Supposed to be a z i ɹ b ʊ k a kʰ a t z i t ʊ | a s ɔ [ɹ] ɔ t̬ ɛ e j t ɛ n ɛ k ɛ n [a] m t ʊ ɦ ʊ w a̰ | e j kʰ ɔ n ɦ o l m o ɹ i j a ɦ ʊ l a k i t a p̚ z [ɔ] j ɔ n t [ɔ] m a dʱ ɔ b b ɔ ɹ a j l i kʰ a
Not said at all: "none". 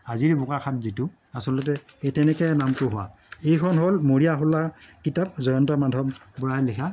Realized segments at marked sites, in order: l, a, ɔ, ɔ

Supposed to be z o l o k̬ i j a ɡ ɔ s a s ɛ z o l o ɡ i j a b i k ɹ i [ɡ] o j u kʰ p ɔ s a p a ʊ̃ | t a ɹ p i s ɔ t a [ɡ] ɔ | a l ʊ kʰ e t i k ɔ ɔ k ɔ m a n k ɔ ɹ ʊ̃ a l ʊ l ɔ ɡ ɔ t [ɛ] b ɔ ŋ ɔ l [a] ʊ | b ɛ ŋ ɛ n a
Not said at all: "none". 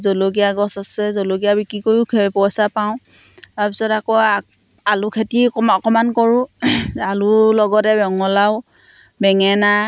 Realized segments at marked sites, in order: k, k, ɛ, a

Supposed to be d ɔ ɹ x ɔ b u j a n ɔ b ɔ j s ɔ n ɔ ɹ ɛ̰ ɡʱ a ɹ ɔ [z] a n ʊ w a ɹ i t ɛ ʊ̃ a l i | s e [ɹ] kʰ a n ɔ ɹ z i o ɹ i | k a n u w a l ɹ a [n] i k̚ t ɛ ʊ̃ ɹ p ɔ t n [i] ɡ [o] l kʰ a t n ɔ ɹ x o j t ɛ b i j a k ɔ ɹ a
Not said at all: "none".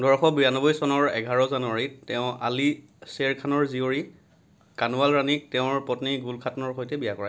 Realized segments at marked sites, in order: z, ɹ, n, i, u

